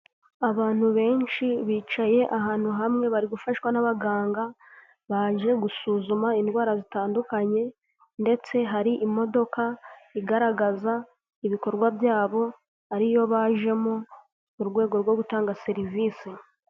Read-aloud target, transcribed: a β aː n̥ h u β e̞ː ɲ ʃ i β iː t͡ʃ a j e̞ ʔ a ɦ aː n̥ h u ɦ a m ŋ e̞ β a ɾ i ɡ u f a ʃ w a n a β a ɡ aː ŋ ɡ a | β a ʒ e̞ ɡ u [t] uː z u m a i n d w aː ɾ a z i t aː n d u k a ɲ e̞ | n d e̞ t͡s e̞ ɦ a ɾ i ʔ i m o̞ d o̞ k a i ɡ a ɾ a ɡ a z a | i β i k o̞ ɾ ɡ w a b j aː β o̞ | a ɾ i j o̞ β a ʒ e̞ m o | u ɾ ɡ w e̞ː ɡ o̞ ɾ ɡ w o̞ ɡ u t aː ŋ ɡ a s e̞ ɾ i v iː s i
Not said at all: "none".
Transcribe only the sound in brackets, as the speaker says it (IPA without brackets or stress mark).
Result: s